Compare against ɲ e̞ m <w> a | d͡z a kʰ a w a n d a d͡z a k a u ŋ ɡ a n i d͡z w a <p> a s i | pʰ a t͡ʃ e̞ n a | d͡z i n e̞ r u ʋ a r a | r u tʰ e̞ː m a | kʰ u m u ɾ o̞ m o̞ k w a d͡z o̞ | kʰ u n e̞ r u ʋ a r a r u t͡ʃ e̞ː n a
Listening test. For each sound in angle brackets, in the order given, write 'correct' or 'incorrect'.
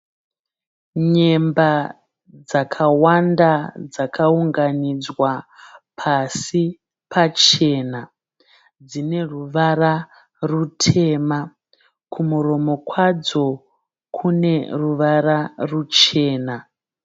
incorrect, incorrect

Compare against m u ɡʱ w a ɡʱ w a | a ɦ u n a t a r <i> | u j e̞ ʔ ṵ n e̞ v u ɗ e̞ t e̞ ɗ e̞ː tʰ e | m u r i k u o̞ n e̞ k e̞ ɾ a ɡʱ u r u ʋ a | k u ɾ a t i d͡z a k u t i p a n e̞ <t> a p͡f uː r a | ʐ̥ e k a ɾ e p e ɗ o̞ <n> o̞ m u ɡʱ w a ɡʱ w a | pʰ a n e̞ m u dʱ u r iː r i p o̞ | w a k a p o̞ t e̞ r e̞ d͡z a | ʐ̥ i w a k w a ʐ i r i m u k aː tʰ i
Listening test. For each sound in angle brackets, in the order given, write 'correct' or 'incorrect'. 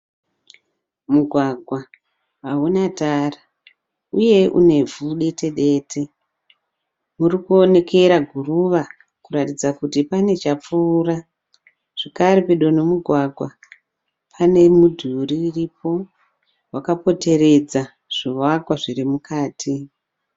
incorrect, incorrect, correct

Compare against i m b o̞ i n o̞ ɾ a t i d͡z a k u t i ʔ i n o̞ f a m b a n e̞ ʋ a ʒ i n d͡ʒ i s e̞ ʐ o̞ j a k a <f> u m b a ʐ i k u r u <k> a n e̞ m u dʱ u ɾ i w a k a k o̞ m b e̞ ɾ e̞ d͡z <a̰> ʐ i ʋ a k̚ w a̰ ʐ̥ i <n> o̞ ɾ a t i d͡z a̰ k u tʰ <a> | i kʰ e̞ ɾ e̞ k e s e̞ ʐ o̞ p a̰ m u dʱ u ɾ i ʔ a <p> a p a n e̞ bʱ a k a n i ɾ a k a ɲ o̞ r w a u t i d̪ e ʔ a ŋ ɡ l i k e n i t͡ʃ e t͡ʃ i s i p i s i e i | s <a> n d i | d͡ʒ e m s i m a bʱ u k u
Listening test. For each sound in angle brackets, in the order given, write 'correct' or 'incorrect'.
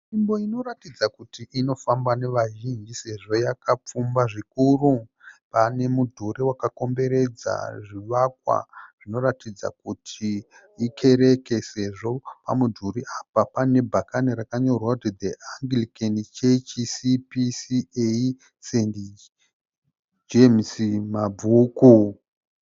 incorrect, incorrect, correct, correct, incorrect, correct, incorrect

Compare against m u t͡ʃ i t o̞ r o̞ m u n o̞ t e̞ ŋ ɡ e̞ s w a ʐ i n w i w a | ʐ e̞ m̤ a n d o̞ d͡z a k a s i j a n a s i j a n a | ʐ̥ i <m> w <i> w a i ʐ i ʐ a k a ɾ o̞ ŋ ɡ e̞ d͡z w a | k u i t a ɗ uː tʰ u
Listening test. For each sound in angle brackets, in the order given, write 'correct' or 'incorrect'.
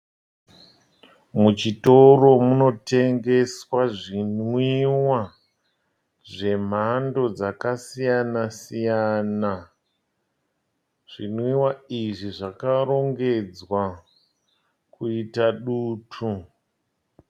incorrect, correct

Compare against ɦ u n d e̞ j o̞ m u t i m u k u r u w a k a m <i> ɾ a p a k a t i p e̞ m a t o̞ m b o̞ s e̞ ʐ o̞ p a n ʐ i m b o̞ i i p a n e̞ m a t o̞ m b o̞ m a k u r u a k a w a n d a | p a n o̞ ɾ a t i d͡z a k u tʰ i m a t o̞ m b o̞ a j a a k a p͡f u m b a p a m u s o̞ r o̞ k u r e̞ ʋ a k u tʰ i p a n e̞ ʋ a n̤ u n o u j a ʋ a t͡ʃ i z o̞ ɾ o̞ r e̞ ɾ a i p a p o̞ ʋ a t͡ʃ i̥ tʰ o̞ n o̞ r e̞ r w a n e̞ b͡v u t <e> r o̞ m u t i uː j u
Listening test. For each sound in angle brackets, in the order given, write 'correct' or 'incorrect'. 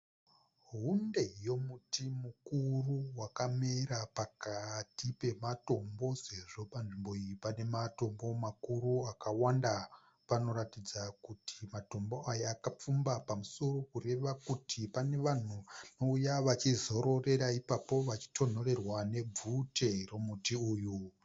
incorrect, correct

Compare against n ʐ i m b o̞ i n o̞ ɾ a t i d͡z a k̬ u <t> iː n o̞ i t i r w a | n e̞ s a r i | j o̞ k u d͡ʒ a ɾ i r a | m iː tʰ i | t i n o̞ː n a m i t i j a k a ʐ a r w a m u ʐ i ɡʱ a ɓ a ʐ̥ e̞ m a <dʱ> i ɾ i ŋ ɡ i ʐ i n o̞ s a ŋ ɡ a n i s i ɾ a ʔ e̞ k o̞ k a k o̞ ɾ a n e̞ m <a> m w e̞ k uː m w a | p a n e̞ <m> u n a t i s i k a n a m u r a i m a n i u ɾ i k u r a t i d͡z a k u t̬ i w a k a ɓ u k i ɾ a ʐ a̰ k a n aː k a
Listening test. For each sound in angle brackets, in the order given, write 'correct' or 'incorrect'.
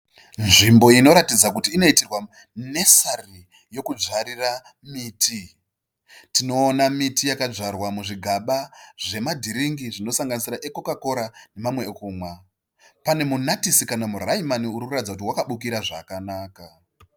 correct, correct, correct, correct

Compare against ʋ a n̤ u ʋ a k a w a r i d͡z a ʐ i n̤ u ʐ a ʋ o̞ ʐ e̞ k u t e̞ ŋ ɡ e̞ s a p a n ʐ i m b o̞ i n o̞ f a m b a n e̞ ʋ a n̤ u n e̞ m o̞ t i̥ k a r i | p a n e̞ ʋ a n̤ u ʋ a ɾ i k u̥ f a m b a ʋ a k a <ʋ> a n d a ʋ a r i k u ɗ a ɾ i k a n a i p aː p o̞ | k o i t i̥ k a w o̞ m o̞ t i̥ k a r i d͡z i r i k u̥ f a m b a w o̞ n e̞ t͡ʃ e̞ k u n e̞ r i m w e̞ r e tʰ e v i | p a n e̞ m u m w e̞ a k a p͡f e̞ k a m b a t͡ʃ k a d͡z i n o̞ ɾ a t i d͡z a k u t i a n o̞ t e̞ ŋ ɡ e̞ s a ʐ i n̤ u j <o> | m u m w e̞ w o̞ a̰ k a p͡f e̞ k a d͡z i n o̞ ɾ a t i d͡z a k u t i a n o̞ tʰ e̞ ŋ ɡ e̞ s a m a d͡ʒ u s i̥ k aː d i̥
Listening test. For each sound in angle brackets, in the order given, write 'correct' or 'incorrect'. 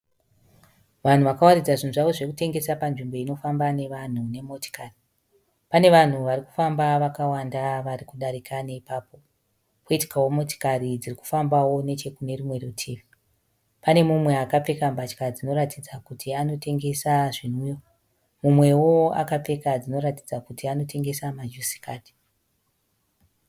incorrect, correct

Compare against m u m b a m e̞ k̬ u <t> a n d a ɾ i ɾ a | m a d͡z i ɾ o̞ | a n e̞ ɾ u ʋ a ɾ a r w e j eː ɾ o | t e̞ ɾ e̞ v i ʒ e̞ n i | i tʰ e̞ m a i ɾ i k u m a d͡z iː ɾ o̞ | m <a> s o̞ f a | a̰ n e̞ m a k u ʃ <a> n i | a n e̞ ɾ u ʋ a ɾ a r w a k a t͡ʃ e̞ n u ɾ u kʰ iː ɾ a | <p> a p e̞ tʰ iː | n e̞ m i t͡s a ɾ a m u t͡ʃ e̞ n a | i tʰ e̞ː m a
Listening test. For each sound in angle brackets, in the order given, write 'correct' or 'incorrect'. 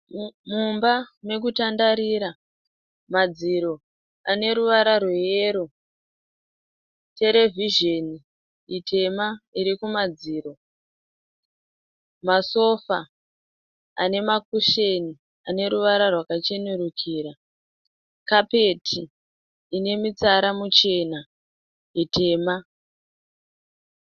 correct, correct, incorrect, incorrect

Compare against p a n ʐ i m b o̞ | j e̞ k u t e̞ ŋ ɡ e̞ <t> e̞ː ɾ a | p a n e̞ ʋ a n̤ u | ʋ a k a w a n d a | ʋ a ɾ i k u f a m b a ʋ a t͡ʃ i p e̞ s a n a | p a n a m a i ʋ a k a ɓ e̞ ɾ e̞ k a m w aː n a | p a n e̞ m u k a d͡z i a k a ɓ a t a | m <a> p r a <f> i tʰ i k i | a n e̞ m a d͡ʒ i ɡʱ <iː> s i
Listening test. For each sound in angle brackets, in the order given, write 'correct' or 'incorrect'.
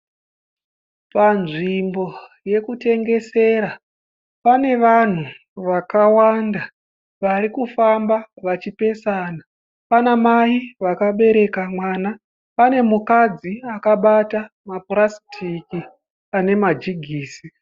incorrect, correct, incorrect, correct

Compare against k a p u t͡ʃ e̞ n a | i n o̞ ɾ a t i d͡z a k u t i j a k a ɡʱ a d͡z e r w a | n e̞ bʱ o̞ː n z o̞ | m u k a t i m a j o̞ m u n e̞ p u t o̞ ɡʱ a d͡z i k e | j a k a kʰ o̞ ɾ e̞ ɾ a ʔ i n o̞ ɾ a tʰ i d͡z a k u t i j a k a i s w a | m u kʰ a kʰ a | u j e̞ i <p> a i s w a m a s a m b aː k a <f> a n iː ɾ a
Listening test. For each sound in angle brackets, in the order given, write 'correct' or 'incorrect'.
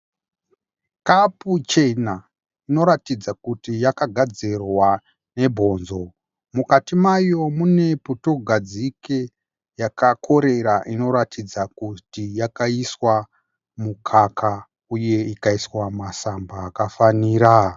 incorrect, correct

